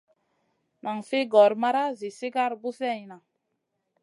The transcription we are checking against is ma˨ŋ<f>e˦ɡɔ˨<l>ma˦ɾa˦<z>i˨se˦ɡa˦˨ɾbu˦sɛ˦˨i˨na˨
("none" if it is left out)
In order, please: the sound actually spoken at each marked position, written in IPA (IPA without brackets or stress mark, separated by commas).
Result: f, ɾ, z